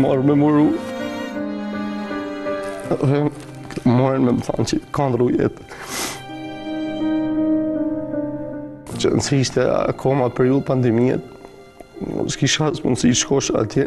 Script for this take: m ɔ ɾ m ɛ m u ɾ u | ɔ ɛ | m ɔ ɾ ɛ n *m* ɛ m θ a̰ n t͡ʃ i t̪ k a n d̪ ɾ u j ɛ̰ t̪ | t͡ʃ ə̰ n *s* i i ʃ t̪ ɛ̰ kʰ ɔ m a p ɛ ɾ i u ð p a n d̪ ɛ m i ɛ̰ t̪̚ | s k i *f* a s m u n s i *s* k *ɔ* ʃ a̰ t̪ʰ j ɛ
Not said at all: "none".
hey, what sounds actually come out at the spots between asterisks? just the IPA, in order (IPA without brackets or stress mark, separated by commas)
m, s, ʃ, ʃ, ɔ